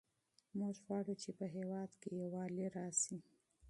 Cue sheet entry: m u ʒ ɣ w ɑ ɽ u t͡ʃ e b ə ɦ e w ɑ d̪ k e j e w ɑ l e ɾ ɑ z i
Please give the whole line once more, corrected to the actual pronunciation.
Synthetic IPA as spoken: m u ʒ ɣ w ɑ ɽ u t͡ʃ e p ə ɦ e w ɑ d̪ k e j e w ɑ l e ɾ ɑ s i